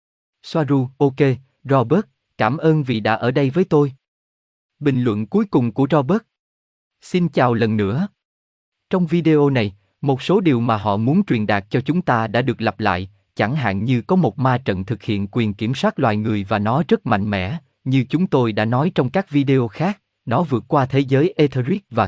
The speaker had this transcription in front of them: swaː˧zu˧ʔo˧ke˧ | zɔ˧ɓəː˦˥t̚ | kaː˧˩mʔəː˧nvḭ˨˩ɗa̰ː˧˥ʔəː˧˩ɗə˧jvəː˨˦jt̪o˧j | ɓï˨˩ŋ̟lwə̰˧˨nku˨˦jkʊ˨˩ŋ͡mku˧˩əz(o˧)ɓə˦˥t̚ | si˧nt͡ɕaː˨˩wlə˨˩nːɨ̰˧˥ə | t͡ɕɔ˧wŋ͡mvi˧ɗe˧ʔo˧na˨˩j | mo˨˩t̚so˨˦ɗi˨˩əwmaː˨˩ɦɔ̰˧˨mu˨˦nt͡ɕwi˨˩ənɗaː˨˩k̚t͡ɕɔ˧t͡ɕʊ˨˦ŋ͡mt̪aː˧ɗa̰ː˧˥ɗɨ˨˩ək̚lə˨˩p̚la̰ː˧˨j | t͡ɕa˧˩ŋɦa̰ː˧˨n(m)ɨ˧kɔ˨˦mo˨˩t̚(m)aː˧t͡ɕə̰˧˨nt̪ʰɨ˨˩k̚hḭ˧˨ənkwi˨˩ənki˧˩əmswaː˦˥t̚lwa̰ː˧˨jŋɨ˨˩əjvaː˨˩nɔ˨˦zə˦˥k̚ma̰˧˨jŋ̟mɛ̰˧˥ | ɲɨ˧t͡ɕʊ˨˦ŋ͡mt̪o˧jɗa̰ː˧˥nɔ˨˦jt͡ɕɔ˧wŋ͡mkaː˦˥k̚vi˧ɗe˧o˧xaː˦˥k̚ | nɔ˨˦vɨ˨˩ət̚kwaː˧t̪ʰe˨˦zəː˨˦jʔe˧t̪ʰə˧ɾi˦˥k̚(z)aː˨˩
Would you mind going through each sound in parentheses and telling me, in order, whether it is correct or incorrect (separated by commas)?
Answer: incorrect, incorrect, correct, incorrect